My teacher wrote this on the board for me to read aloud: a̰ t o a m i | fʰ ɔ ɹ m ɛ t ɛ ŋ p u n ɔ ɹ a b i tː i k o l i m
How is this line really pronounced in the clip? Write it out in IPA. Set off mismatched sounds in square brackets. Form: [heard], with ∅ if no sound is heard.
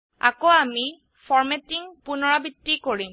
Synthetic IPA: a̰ [k] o a m i | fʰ ɔ ɹ m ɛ t [i] ŋ p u n ɔ ɹ a b i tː i k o [ɹ] i m